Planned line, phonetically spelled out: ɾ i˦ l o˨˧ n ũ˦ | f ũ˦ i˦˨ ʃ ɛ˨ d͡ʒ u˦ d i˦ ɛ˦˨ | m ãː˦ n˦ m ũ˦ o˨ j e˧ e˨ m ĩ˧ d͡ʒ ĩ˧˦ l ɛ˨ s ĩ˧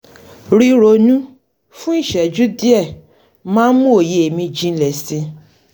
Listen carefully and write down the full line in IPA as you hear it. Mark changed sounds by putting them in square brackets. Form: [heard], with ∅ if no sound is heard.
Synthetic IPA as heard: ɾ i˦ [ɾ] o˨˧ n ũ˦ | f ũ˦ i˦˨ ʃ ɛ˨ d͡ʒ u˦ d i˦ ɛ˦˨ | m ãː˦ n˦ m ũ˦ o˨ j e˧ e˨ m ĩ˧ d͡ʒ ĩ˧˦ l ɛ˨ s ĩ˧